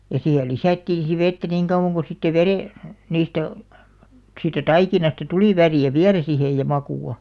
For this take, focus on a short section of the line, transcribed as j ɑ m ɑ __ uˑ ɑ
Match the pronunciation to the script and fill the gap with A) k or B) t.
A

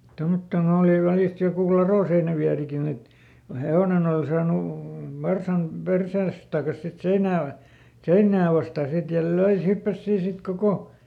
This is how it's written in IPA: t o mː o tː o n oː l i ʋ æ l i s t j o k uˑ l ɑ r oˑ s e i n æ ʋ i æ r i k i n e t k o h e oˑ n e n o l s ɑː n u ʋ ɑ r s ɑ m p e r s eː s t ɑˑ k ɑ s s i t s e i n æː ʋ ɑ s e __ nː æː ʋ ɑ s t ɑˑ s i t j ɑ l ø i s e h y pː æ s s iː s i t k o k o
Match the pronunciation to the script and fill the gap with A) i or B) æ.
A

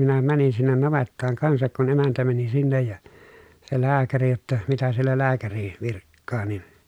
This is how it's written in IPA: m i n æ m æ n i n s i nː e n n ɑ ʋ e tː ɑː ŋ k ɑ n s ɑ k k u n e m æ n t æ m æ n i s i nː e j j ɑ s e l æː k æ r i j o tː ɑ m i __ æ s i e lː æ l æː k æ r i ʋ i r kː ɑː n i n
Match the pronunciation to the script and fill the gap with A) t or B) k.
A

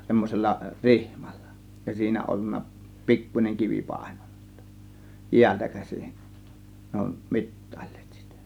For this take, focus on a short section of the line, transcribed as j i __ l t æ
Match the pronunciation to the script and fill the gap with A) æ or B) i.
A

